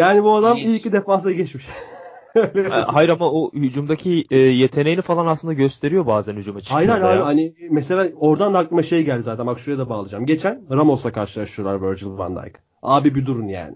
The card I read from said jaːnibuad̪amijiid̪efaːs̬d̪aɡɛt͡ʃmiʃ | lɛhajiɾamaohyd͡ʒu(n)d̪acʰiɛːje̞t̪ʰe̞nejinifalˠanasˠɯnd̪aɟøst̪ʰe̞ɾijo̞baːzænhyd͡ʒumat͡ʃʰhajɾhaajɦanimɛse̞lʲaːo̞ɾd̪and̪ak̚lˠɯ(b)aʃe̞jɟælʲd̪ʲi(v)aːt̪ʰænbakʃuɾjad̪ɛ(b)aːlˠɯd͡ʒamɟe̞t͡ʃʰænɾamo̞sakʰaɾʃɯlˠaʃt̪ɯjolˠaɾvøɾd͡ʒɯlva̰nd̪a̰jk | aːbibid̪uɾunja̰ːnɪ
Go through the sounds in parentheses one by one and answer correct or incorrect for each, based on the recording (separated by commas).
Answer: incorrect, incorrect, incorrect, correct